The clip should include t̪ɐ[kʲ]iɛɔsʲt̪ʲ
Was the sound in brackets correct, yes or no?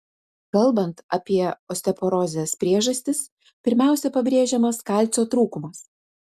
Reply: no